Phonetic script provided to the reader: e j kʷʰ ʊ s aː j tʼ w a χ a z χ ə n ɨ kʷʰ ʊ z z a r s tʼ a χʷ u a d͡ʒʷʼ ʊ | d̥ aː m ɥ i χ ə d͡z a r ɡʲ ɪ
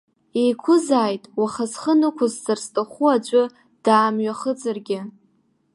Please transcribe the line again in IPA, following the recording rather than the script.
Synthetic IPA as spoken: e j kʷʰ ʊ z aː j tʼ w a χ a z χ ə n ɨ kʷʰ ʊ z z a r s tʼ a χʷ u a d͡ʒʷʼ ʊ | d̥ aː m ɥ a χ ə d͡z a r ɡʲ ɪ